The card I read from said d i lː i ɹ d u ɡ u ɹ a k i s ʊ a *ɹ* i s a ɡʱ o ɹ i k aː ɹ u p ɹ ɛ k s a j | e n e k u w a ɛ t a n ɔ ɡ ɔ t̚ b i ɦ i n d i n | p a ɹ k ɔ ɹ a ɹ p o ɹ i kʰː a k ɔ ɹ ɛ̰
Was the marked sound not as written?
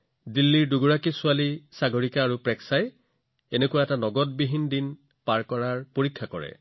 yes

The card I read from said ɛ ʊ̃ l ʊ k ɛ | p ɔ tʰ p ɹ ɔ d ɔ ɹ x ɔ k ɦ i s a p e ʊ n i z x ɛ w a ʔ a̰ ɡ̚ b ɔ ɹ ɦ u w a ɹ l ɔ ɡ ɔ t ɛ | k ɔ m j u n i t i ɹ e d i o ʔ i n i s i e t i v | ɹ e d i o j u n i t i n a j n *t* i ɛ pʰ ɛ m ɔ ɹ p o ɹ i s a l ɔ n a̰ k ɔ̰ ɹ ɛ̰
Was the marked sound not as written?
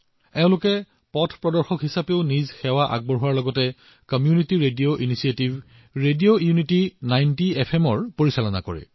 no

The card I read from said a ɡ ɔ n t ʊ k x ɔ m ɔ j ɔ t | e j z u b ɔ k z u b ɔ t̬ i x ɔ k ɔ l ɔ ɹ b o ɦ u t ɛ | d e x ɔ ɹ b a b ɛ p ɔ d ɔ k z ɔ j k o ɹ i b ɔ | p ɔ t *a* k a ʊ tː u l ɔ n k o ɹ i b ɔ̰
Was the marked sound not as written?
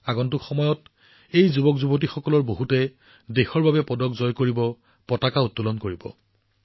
no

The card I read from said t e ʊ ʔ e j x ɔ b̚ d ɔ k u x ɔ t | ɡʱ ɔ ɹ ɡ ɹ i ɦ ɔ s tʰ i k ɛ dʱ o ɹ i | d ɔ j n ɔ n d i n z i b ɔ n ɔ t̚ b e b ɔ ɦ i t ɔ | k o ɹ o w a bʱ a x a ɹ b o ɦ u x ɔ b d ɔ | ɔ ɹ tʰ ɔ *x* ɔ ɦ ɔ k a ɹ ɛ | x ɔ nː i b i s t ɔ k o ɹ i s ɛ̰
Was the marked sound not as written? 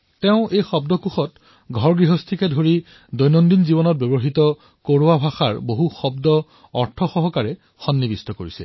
no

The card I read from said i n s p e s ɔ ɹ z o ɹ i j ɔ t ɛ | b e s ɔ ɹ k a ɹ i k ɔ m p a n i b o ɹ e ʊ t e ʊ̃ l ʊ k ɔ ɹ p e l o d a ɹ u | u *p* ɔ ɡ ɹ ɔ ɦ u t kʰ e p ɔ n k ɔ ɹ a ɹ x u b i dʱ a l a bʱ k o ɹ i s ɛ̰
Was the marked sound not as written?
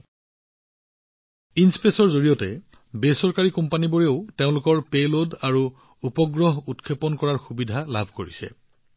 no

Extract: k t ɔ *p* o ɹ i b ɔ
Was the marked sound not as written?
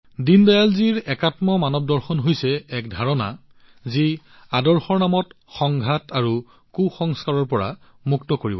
yes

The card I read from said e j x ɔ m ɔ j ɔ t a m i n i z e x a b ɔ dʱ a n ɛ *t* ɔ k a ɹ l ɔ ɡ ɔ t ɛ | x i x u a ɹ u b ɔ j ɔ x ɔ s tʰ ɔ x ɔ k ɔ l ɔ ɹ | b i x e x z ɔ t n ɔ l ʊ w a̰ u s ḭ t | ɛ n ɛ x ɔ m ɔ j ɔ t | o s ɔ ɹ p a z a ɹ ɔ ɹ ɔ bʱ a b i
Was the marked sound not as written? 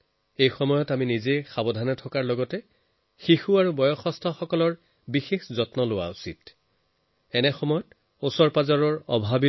yes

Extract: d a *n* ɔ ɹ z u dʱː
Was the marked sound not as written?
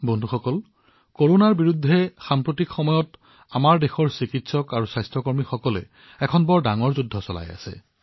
yes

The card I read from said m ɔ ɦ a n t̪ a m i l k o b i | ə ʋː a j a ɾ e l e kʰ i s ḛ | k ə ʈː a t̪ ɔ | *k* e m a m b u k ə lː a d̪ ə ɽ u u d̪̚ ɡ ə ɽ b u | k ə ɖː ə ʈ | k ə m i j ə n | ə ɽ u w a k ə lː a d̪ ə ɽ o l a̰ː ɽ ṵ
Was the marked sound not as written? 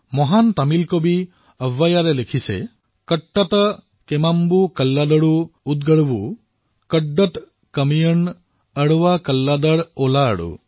no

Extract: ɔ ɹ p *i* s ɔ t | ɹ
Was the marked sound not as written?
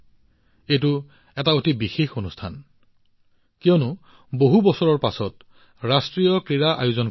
yes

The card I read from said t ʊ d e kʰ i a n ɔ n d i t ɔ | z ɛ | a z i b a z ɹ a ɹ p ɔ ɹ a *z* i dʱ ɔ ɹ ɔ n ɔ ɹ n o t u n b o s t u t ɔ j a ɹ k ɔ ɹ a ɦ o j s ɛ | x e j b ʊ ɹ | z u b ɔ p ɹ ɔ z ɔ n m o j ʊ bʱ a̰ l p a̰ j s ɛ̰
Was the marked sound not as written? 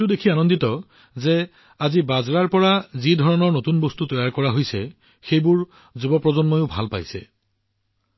no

